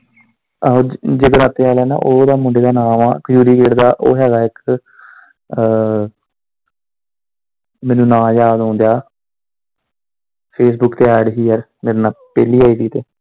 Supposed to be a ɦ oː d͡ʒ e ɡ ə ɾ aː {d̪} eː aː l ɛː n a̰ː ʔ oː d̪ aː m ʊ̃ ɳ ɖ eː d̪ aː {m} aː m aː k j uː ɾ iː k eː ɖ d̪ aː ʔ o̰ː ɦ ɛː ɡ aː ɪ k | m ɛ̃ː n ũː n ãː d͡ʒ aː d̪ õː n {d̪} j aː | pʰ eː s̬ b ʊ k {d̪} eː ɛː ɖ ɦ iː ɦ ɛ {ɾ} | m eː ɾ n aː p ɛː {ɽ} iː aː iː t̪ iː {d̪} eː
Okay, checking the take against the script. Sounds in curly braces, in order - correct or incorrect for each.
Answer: incorrect: t̪, incorrect: n, correct, incorrect: t̪, correct, incorrect: l, incorrect: t̪

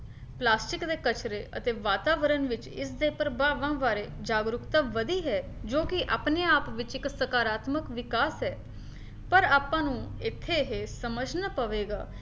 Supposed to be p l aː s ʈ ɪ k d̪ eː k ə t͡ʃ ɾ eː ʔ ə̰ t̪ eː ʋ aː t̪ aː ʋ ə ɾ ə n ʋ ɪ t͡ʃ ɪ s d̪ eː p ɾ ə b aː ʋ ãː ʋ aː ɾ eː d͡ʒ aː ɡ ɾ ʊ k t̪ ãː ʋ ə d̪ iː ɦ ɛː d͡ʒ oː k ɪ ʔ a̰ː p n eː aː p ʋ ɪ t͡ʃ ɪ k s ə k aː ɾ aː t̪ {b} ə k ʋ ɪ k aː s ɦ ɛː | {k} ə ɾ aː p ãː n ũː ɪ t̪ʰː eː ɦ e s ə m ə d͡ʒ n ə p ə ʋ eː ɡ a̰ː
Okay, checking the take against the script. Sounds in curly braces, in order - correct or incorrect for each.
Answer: incorrect: m, incorrect: p

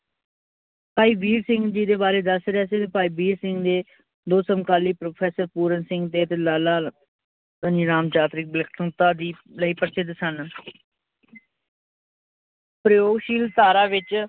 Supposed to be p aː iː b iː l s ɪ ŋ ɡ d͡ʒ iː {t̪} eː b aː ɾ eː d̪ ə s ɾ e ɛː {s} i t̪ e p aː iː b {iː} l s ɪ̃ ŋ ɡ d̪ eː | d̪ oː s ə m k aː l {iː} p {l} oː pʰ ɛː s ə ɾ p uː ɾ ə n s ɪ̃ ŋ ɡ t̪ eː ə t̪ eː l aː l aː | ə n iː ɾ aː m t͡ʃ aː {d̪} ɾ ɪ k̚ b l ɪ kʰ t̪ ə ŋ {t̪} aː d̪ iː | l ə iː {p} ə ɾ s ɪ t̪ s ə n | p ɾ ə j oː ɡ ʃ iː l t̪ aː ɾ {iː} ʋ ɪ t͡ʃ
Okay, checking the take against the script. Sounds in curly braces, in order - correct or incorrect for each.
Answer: incorrect: d̪, correct, correct, correct, incorrect: ɾ, incorrect: t̪, correct, correct, incorrect: aː

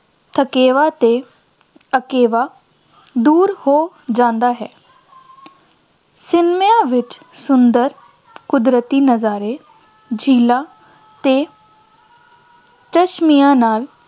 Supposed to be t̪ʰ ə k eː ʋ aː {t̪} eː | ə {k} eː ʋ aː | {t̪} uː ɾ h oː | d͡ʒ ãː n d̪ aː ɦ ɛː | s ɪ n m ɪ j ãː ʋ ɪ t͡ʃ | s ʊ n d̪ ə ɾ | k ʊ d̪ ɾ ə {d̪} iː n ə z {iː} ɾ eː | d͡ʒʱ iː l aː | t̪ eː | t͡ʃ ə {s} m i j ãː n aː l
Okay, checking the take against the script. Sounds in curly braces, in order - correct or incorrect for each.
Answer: correct, correct, incorrect: d̪, incorrect: t̪, incorrect: aː, incorrect: ʃ

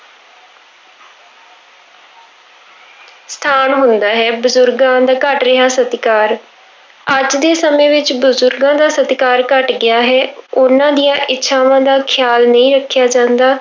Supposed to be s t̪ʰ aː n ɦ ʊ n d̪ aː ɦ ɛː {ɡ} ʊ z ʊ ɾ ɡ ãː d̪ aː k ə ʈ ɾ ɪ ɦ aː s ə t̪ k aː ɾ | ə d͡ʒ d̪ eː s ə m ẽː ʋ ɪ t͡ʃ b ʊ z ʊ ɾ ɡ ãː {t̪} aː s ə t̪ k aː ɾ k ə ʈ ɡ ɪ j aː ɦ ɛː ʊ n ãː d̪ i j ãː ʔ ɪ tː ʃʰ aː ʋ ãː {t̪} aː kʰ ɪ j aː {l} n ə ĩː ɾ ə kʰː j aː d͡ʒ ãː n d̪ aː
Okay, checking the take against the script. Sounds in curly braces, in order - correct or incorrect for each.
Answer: incorrect: b, incorrect: d̪, incorrect: d̪, correct

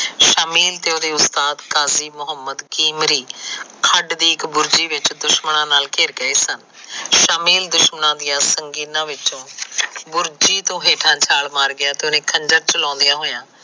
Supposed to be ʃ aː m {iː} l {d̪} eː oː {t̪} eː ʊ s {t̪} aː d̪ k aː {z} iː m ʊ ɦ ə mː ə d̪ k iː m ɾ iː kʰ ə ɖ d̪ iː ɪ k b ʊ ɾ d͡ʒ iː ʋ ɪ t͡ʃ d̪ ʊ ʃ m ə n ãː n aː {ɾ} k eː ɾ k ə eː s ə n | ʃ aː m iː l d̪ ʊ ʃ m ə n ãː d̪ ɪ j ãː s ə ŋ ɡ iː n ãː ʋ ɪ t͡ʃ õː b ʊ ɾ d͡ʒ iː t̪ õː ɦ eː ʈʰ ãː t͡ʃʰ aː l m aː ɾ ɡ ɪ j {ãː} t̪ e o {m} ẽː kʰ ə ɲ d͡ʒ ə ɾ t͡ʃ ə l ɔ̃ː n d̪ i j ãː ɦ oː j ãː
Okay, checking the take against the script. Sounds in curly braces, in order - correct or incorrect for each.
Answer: correct, incorrect: t̪, incorrect: d̪, correct, correct, incorrect: l, incorrect: aː, incorrect: n

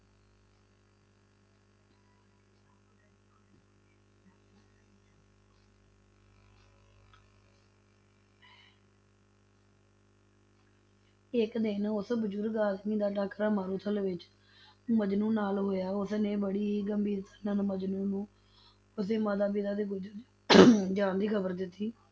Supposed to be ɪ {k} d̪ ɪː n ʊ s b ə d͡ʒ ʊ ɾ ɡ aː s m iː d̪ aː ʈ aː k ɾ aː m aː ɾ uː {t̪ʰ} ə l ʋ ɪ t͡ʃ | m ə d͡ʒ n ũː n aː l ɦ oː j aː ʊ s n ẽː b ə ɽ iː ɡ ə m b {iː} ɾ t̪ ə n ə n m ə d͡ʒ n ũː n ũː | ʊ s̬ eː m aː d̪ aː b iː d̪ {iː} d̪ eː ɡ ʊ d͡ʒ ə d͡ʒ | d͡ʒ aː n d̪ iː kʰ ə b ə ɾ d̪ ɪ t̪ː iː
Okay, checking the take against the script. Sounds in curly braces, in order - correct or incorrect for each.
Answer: correct, correct, correct, incorrect: aː

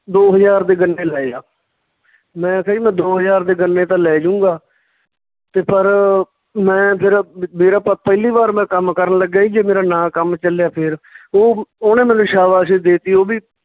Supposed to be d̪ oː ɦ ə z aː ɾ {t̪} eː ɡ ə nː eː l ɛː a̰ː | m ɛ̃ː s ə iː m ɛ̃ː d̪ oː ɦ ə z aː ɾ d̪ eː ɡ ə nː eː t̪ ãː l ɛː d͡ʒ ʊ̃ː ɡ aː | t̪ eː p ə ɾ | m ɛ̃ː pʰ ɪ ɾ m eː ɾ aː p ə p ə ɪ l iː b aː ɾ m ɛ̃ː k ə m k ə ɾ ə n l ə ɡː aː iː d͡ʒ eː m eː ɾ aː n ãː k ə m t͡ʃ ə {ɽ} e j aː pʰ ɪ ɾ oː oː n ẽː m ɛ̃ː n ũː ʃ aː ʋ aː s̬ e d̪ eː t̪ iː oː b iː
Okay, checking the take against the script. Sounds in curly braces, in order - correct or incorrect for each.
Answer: incorrect: d̪, incorrect: l

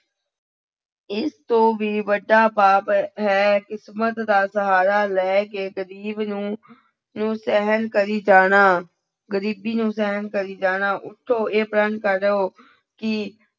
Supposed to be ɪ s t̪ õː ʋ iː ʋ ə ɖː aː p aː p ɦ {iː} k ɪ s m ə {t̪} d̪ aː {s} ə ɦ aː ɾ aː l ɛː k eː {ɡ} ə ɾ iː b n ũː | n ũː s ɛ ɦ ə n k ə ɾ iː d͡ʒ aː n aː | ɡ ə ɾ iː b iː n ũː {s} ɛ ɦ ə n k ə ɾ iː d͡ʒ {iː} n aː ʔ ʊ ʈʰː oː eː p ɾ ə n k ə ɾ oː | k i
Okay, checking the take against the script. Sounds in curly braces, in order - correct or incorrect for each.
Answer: incorrect: ɛː, correct, correct, correct, correct, incorrect: aː

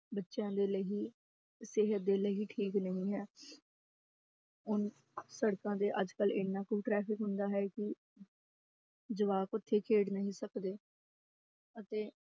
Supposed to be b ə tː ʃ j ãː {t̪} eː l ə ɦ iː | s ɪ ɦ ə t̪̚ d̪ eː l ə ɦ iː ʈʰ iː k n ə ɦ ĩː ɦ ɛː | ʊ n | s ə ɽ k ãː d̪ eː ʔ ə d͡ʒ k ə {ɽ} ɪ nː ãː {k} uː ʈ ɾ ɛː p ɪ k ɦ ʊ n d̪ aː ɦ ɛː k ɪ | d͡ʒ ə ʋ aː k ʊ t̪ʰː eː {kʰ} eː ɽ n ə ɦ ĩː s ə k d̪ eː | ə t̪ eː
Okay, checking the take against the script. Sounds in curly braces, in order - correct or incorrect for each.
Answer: incorrect: d̪, incorrect: l, correct, correct

